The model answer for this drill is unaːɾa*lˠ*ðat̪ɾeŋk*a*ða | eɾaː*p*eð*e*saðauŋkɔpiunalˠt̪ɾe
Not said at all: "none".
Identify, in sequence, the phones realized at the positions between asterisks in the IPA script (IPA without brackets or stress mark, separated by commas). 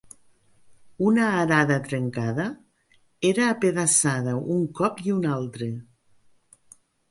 none, a, p, a